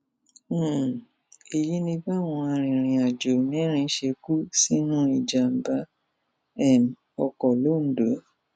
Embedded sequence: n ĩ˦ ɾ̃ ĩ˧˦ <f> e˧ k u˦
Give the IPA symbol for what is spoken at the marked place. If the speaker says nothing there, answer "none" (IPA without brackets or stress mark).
ʃ